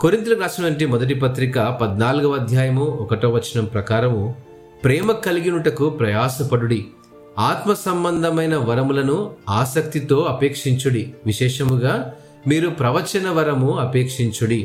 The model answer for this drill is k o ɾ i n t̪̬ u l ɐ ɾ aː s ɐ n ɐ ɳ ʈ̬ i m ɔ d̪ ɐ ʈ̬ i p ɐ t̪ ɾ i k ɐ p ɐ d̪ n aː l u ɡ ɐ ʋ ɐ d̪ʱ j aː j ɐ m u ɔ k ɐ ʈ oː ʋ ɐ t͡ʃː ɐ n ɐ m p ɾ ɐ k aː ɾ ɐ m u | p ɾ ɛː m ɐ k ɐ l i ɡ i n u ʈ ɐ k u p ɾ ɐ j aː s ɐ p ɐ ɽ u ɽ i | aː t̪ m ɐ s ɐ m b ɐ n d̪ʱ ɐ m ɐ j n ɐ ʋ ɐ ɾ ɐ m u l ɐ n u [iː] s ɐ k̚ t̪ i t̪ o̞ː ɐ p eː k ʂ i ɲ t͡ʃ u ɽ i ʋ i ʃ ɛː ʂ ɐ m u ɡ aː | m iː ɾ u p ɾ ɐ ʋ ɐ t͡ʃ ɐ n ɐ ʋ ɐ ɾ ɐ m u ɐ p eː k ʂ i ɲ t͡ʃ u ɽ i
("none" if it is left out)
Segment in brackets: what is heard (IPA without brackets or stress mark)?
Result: aː